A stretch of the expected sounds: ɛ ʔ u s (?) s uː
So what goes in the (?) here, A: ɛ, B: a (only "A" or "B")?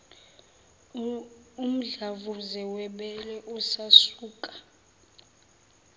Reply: B